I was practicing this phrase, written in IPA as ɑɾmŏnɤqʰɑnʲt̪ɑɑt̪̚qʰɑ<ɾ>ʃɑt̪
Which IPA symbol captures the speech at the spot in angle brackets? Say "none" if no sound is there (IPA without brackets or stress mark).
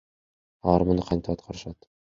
ɾ